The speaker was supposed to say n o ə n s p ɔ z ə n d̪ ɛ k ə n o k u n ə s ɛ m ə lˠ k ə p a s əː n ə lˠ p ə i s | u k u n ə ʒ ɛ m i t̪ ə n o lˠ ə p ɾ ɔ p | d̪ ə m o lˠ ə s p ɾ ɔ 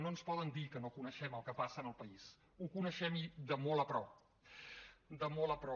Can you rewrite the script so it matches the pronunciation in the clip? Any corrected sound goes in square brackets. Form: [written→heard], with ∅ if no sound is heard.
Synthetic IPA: n o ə n s p ɔ [z→ð] ə n d̪ [ɛ→i] k ə n o k u n ə [s→ʃ] ɛ m ə lˠ k ə p a s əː n ə lˠ p ə i s | u k u n ə [ʒ→ʃ] ɛ m i [t̪→d̪] ə [n→m] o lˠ ə p ɾ ɔ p | d̪ ə m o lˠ ə [s→∅] p ɾ ɔ

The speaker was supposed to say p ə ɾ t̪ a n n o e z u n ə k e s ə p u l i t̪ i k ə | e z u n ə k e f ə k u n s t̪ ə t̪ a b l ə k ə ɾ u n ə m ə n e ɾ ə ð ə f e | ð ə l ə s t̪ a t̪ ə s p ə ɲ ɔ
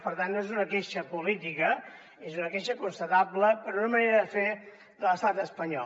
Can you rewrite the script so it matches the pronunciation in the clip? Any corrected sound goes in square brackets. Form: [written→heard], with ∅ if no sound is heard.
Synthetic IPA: p ə ɾ t̪ a n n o e z u n ə k e [s→ʃ] ə p u l i t̪ i k ə | e z u n ə k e [f→ʃ] ə k u n s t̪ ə t̪ a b l ə [k→p] ə ɾ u n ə m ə n e ɾ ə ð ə f e | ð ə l ə s t̪ a t̪ ə s p ə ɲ ɔ

